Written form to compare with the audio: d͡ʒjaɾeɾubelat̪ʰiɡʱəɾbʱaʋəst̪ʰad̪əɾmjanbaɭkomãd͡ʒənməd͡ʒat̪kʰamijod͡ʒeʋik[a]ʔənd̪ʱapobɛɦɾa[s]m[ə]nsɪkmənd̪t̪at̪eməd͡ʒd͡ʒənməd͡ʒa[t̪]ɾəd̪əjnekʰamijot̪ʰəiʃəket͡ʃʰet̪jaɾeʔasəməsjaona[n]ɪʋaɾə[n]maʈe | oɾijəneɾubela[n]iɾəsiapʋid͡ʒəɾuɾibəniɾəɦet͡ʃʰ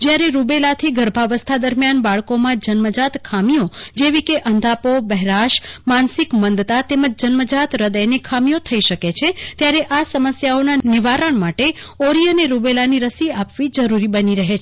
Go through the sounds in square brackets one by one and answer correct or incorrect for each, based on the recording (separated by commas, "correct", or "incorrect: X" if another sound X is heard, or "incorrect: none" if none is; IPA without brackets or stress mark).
incorrect: e, incorrect: ʃ, incorrect: a, correct, correct, incorrect: ɳ, correct